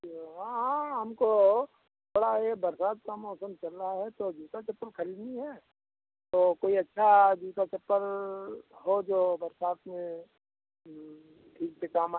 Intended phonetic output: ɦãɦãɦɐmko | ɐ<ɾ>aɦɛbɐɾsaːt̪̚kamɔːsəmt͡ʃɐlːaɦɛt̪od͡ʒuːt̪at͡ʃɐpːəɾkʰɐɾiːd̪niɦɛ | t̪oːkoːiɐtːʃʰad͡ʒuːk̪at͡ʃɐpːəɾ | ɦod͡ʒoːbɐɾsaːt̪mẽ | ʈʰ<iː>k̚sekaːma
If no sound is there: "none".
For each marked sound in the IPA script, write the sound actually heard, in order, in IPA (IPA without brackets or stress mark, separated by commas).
ɽ, iː